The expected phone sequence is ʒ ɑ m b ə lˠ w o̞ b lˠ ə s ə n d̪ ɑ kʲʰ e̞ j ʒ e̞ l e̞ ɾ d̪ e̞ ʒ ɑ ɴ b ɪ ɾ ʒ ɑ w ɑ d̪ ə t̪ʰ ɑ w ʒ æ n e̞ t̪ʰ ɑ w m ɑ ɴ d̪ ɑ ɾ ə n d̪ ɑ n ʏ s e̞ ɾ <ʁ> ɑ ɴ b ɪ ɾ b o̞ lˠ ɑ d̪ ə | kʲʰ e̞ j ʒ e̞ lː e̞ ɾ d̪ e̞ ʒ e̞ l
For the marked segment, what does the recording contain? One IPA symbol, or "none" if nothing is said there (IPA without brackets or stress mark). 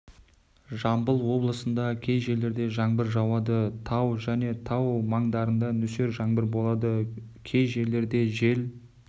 ʒ